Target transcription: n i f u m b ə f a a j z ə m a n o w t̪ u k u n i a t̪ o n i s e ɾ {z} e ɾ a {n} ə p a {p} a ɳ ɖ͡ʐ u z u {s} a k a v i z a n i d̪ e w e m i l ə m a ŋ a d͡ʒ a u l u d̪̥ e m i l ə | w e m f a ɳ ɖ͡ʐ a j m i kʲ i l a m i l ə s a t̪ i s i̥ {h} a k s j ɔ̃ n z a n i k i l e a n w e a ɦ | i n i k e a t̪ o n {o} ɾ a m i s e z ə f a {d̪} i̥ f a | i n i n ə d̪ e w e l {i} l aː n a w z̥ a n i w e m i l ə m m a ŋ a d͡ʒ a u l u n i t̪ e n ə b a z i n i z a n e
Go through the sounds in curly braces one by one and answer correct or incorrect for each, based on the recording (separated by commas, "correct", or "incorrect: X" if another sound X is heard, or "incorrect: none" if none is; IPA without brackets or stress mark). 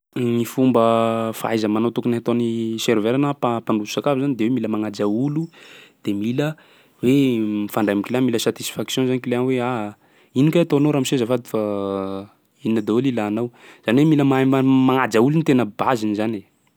incorrect: v, correct, correct, correct, incorrect: f, correct, correct, correct